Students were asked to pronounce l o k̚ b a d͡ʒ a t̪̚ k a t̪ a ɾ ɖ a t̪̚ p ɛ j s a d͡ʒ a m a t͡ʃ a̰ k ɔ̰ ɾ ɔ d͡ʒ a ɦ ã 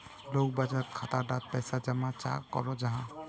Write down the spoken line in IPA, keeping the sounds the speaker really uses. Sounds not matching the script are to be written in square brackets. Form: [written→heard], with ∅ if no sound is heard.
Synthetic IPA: l o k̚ b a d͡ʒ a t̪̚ [k→kʰ] a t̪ a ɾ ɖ a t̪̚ p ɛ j s a d͡ʒ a m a t͡ʃ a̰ k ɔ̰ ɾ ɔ d͡ʒ a ɦ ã